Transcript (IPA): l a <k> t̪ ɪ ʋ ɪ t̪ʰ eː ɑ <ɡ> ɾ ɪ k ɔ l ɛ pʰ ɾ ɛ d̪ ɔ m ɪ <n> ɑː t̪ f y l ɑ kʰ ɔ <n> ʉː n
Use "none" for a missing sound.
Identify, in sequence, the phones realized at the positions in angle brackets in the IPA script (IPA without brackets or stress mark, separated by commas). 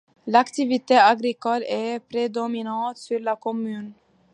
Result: k, ɡ, n, m